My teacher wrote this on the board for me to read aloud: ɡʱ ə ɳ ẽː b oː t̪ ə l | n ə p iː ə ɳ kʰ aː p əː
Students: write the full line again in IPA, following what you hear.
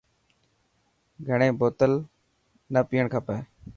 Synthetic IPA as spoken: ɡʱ ə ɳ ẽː b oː t̪ ə l | n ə p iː ə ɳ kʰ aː p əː